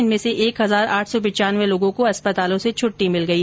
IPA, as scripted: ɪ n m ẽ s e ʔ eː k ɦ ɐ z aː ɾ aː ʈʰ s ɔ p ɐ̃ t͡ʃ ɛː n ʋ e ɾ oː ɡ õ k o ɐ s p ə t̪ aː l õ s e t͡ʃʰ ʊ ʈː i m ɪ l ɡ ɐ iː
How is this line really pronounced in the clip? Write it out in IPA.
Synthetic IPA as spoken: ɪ n m ẽ s e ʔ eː k ɦ ɐ z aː ɾ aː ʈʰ s ɔ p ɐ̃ t͡ʃ aː n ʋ e l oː ɡ õ k o ɐ s p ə t̪ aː l õ s e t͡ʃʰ ʊ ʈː i m ɪ l ɡ ɐ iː